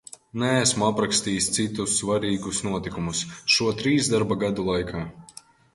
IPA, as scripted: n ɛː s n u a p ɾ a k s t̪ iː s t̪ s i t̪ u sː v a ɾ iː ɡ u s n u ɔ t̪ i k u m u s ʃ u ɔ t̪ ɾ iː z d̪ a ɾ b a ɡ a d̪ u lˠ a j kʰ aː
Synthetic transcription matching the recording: n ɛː s m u a p ɾ a k s t̪ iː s t̪ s i t̪ u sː v a ɾ iː ɡ u s n u ɔ t̪ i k u m u s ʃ u ɔ t̪ ɾ iː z d̪ a ɾ b a ɡ a d̪ u lˠ a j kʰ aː

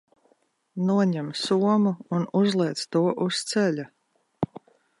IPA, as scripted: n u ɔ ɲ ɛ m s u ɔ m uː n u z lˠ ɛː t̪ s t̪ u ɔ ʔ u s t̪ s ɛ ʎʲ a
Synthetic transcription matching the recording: n u ɔ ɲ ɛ m s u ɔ m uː n u z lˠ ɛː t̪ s t̪ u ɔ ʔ u s t̪ s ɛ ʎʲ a

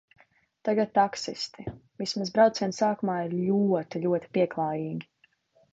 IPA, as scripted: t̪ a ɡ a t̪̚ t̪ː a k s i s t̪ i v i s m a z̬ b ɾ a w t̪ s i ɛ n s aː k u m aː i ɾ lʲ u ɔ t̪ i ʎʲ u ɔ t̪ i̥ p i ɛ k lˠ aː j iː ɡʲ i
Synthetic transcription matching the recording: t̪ a ɡ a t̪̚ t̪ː a k s i s t̪ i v i s m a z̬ b ɾ a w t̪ s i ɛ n s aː k u m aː i ɾ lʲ u ɔ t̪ i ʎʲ u ɔ t̪ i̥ p i ɛ k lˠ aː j iː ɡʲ i

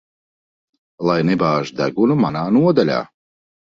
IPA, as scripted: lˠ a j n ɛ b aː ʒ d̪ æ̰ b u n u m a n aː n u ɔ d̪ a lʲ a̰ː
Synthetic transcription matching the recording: lˠ a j n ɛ b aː ʒ d̪ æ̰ ɡ u n u m a n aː n u ɔ d̪ a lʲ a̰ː

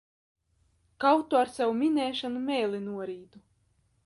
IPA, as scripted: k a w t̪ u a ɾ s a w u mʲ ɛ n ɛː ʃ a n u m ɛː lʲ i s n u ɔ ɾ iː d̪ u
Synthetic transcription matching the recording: k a w t̪ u a ɾ s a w u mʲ i n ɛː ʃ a n u m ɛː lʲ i n u ɔ ɾ iː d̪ u

